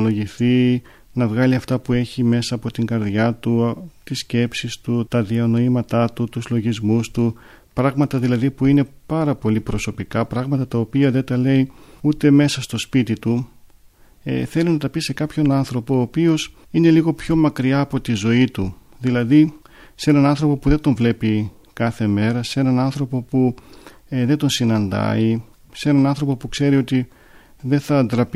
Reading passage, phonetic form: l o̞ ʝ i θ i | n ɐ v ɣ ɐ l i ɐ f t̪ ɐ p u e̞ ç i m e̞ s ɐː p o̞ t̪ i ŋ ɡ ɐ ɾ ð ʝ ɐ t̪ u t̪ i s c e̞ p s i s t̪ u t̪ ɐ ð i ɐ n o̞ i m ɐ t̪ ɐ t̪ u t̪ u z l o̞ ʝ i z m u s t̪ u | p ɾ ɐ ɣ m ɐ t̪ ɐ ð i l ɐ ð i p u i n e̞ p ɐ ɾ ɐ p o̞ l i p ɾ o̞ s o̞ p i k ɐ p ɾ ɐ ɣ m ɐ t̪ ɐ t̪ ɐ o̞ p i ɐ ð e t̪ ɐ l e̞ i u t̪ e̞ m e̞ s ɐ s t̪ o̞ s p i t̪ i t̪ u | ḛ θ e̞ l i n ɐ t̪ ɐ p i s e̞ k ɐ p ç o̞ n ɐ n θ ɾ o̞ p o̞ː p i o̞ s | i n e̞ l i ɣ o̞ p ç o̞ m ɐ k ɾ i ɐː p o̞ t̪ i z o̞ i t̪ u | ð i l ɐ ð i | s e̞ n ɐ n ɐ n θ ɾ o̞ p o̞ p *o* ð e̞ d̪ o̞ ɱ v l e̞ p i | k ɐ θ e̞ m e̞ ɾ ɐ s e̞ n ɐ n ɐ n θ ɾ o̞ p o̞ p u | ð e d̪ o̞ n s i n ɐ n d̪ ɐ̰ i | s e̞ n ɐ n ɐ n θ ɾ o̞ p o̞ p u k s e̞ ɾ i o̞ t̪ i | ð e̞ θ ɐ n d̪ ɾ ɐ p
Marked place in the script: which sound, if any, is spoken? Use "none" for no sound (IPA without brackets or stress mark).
u